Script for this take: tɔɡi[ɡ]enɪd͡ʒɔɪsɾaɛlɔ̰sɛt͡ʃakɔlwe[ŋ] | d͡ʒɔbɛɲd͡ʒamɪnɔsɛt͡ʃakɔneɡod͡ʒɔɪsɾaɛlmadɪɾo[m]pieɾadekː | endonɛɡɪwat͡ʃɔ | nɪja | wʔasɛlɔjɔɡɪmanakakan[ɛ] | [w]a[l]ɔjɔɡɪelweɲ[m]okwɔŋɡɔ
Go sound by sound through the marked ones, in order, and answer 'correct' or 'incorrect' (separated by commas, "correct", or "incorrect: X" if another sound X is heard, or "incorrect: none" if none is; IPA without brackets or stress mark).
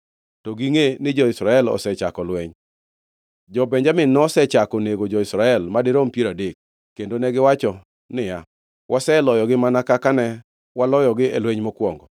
incorrect: ŋ, incorrect: ɲ, correct, correct, correct, correct, correct